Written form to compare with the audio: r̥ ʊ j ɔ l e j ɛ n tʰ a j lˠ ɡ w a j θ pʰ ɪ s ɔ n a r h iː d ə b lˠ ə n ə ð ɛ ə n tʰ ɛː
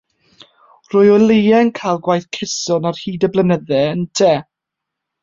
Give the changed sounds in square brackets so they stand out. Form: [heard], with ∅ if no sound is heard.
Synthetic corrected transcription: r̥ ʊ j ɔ l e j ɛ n [kʰ] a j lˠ ɡ w a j θ [kʰ] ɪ s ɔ n a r h iː d ə b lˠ ə n ə ð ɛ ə n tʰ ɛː